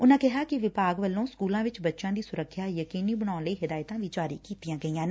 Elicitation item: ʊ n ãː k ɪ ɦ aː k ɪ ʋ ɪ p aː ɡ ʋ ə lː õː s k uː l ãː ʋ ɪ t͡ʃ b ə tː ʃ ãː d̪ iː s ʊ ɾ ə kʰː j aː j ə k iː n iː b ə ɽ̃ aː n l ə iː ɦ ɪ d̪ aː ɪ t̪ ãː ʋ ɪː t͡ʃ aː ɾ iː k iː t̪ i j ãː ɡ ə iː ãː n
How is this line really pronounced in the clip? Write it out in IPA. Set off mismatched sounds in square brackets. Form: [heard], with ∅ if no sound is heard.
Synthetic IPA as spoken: ʊ n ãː k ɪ ɦ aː k ɪ ʋ ɪ p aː ɡ ʋ ə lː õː s k uː l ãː ʋ ɪ t͡ʃ b ə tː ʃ ãː d̪ iː s ʊ ɾ ə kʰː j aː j ə k iː n iː b ə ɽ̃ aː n l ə iː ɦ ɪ d̪ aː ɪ t̪ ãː ʋ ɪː t͡ʃ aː ɾ iː k iː t̪ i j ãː ɡ ə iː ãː n